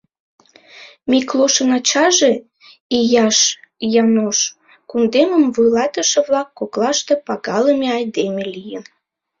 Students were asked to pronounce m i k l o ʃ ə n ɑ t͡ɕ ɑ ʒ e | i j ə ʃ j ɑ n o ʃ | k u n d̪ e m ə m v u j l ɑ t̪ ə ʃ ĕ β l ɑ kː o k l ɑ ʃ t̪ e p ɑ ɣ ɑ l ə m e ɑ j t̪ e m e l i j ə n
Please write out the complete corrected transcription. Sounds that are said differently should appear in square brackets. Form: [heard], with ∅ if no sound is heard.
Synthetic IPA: m i k l o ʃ ə n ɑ t͡ɕ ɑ ʒ e | i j [ɑ] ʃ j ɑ n o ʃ | k u n d̪ e m ə m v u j l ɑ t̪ ə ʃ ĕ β l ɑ kː o k l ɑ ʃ t̪ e p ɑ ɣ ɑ l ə m e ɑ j [d̪] e m e l i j ə n